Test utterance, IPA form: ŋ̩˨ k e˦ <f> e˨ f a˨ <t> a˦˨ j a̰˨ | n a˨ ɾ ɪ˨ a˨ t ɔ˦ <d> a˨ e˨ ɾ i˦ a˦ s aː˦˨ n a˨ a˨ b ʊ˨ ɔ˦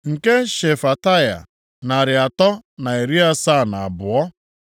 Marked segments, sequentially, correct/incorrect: incorrect, correct, incorrect

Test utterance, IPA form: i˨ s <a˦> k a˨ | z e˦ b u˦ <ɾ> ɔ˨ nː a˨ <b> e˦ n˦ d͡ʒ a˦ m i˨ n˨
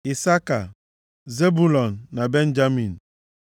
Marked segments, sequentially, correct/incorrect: correct, incorrect, correct

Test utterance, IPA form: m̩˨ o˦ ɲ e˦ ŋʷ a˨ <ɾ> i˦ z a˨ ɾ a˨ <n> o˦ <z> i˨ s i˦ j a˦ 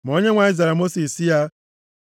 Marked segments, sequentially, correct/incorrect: incorrect, incorrect, incorrect

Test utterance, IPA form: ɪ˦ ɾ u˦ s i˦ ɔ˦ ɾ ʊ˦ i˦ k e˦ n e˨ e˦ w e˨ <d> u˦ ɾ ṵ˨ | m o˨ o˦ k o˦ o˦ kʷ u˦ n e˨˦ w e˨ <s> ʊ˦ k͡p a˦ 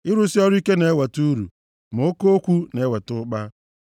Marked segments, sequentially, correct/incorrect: incorrect, incorrect

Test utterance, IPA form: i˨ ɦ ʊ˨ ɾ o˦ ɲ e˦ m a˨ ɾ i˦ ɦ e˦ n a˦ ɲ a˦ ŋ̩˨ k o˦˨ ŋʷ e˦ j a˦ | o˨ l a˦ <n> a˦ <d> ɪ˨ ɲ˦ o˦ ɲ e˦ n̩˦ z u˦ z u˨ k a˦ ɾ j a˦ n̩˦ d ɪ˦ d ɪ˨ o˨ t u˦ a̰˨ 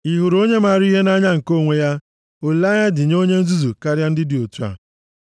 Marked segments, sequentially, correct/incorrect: incorrect, correct

